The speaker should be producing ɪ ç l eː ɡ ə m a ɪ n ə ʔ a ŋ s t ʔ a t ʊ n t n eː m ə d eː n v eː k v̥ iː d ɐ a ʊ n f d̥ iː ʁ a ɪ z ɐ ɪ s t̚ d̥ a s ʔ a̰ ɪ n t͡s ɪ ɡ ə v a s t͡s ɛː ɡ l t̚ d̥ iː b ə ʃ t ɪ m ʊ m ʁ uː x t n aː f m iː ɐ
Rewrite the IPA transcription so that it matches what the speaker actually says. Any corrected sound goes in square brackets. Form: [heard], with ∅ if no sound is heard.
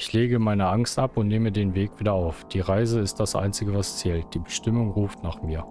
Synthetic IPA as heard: ɪ ç l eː ɡ ə m a ɪ n ə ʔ a ŋ s t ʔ a [p] ʊ n t n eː m ə d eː n v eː k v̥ iː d ɐ a ʊ [∅] f d̥ iː ʁ a ɪ z [ə] ɪ s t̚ d̥ a s ʔ a̰ ɪ n t͡s ɪ ɡ ə v a s t͡s ɛː [∅] l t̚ d̥ iː b ə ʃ t ɪ m ʊ [ŋ] ʁ uː [f] t n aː [χ] m iː ɐ